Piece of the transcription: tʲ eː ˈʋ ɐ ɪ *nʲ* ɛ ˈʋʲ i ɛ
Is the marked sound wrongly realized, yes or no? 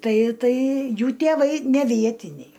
no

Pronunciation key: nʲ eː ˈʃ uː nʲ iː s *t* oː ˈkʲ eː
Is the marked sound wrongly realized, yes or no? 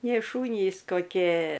yes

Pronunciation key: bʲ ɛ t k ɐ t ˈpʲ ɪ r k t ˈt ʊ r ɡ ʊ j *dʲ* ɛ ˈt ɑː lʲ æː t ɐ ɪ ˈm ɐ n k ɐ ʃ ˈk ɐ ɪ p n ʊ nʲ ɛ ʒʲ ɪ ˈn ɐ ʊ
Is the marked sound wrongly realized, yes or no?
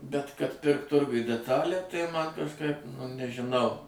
no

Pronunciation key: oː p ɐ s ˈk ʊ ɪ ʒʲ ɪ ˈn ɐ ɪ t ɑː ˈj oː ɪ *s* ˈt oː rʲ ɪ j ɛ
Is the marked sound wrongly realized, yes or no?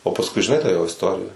no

